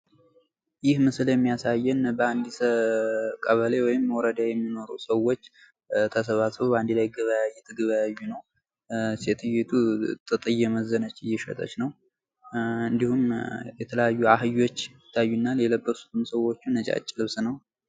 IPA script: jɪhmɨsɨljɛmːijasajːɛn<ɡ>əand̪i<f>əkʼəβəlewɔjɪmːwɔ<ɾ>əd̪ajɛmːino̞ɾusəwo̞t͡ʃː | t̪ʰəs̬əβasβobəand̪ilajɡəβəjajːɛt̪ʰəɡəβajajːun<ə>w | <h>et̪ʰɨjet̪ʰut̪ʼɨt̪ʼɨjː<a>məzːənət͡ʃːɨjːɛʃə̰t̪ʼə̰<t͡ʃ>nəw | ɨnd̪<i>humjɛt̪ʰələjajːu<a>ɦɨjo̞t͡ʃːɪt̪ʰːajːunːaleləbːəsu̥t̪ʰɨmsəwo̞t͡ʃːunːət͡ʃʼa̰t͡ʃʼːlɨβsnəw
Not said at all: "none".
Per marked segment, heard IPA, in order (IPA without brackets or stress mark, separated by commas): b, s, ɾ, ə, s, ɛ, t͡ʃ, i, a